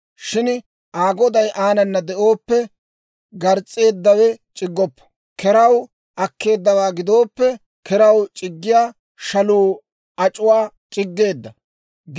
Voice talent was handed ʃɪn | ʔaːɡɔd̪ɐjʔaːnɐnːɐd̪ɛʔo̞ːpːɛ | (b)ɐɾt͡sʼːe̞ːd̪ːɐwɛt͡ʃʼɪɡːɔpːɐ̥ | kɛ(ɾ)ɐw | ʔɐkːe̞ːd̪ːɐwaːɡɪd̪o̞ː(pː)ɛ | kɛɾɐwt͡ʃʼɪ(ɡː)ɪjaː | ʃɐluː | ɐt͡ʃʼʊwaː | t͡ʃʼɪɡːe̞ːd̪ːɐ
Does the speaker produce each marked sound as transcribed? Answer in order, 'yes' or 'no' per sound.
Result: no, yes, yes, yes

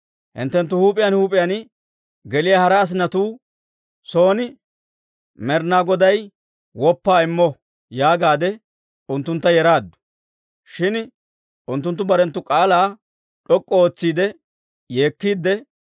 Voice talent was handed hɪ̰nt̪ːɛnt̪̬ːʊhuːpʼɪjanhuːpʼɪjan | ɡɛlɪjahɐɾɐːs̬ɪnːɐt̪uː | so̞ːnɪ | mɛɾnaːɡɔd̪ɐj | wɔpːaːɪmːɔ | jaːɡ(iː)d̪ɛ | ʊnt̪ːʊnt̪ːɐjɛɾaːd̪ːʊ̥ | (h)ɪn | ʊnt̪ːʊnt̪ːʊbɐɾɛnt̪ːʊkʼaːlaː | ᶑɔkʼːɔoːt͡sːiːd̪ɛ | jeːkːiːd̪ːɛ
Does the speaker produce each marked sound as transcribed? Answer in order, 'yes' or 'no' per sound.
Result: no, no

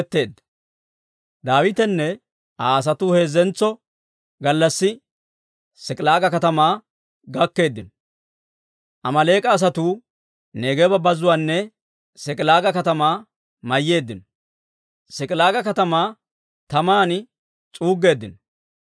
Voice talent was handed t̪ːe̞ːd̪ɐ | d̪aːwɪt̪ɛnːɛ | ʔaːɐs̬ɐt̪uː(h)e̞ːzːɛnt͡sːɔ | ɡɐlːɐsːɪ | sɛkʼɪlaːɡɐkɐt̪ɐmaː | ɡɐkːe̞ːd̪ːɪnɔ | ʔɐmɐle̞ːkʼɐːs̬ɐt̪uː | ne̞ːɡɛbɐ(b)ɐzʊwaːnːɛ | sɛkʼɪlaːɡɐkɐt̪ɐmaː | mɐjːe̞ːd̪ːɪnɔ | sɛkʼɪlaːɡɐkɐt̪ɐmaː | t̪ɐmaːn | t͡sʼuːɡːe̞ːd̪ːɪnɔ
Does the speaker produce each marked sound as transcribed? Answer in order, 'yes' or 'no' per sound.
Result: yes, yes

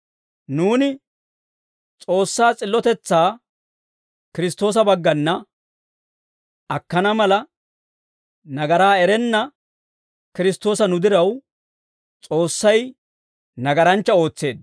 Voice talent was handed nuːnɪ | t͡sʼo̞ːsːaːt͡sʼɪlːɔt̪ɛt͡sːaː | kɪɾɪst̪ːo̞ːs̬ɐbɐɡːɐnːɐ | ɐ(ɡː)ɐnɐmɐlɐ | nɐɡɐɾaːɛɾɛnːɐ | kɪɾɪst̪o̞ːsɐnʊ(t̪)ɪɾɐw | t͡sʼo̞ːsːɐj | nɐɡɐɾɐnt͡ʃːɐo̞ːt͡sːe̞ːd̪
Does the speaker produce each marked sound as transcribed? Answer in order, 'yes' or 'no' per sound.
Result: no, no

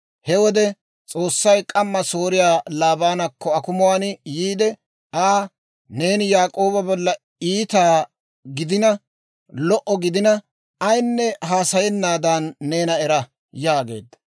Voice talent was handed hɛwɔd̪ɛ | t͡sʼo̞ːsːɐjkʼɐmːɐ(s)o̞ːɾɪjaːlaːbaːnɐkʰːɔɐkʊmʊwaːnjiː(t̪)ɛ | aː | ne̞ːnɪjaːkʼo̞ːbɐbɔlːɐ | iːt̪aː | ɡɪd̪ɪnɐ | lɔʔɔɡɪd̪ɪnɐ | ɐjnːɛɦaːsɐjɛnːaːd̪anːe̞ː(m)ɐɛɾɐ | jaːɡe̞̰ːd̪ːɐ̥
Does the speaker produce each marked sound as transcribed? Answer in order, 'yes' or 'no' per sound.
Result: yes, no, no

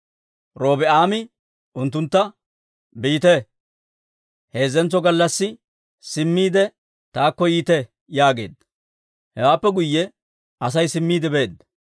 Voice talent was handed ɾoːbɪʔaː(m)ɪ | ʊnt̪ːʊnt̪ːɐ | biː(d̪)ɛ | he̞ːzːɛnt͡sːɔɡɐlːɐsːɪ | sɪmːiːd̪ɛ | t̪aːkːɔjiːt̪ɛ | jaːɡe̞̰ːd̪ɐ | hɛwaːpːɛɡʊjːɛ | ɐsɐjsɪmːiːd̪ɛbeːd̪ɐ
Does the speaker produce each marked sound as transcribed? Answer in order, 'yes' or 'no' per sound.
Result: yes, no

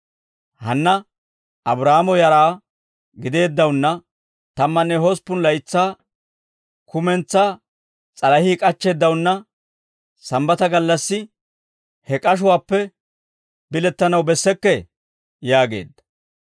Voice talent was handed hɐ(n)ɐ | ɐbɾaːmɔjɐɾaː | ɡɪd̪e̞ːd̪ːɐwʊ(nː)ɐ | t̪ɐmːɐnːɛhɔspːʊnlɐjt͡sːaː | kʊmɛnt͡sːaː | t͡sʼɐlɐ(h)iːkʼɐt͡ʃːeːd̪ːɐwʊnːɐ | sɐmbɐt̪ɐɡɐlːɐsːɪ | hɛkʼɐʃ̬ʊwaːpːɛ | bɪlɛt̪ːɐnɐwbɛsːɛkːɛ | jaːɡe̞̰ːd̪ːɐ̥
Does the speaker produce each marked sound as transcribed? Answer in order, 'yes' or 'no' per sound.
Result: no, yes, yes

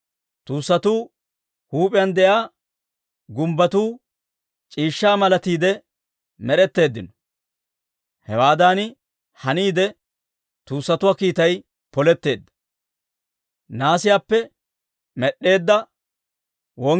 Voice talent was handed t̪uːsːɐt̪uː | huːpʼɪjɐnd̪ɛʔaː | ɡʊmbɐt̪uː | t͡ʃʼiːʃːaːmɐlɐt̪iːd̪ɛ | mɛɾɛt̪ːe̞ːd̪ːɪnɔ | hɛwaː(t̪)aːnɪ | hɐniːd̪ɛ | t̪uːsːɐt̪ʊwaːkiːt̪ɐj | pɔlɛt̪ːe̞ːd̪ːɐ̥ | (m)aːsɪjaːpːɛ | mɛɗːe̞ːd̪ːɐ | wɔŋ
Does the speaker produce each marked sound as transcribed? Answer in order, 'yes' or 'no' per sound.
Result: no, no

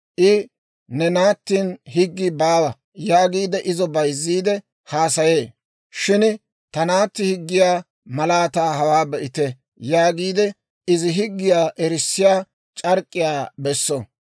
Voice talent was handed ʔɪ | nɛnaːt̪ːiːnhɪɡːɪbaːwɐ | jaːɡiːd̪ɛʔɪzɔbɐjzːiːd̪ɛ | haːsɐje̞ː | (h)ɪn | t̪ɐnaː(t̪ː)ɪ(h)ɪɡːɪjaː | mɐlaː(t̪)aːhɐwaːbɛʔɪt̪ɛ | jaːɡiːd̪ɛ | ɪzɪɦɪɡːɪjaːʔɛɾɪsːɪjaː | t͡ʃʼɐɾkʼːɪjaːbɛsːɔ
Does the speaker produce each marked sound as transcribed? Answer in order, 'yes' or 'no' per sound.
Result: no, yes, yes, yes

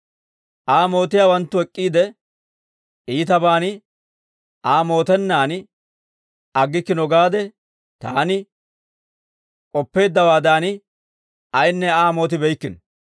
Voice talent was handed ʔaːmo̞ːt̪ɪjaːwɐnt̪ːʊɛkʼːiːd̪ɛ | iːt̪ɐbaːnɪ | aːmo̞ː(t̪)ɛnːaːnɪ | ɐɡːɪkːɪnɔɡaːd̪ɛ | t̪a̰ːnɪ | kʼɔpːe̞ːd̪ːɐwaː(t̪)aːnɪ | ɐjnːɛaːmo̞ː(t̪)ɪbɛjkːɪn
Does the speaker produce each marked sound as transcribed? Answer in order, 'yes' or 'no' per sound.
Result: yes, no, yes

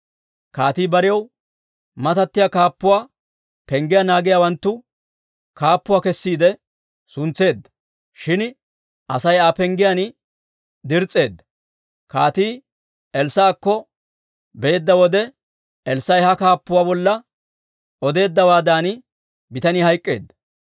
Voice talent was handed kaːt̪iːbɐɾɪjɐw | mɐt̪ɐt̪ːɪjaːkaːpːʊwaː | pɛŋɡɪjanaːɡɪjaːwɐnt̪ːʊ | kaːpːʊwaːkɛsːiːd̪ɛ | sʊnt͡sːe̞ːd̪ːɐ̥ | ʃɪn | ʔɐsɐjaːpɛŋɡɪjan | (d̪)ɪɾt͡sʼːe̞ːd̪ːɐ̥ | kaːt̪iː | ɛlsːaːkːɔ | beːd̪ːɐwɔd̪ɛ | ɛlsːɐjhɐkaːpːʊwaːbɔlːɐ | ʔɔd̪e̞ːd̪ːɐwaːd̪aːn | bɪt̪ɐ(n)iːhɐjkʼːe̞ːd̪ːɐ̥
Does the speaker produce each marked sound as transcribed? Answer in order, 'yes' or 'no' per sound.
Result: yes, yes

